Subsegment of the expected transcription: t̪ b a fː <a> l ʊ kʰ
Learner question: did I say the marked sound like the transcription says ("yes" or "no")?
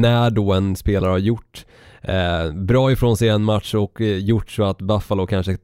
yes